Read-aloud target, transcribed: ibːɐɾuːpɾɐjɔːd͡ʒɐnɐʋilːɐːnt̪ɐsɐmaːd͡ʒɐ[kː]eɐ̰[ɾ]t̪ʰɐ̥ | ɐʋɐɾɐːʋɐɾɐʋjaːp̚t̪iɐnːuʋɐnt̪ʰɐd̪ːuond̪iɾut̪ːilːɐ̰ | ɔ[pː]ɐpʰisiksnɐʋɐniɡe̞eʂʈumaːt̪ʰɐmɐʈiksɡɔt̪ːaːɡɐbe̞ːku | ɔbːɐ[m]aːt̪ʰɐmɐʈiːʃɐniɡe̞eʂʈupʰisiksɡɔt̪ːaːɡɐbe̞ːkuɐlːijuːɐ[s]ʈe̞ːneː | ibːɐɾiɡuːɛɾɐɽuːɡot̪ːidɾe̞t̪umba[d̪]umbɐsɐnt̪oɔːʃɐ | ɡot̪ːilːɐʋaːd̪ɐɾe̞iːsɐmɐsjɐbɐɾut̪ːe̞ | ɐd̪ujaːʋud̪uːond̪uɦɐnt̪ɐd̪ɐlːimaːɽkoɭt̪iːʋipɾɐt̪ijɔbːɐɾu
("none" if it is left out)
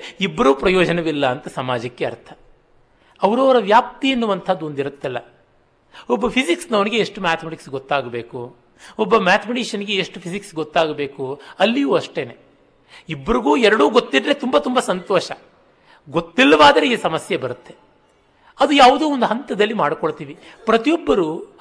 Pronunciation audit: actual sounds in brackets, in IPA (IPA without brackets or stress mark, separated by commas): kː, ɾ, bː, m, ʂ, t̪